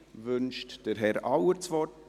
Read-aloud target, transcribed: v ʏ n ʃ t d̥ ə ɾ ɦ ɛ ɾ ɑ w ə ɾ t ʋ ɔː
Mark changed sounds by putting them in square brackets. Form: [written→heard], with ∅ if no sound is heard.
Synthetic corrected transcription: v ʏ n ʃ t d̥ ə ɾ ɦ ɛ ɾ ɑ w ə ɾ [t→t͡s] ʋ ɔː